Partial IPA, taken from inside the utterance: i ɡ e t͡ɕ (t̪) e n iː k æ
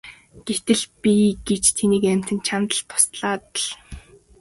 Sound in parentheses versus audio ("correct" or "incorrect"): incorrect